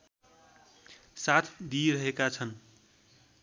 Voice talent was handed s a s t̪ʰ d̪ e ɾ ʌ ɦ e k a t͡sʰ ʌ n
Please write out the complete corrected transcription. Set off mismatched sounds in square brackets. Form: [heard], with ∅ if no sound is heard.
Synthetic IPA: s a [∅] t̪ʰ d̪ [i] ɾ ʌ ɦ e k a t͡sʰ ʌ n

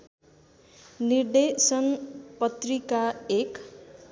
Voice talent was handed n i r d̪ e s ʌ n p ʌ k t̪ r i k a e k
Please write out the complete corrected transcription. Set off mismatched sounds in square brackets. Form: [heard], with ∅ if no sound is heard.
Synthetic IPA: n i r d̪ e s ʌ n p ʌ [∅] t̪ r i k a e k

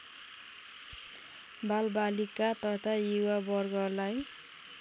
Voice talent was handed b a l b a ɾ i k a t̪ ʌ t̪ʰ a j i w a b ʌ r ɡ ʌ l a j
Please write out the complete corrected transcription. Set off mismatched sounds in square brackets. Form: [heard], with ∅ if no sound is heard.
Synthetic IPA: b a l b a [l] i k a t̪ ʌ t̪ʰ a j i w a b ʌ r ɡ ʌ l a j

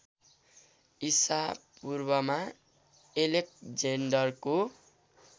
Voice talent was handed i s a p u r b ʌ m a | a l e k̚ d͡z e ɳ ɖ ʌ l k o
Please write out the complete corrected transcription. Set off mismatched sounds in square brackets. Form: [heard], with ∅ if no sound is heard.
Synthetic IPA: i s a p u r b ʌ m a | [e] l e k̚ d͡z e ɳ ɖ ʌ [r] k o

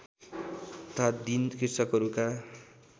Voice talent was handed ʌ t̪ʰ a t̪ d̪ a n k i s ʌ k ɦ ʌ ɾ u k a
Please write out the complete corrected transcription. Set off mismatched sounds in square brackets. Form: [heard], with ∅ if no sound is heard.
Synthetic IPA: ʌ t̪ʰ a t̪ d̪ [i] n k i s ʌ k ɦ ʌ ɾ u k a

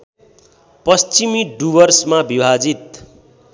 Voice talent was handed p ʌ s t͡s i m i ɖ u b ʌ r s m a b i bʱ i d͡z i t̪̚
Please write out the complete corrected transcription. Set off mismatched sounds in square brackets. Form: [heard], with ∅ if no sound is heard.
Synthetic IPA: p ʌ s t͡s i m i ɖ u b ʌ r s m a b i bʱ [a] d͡z i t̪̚

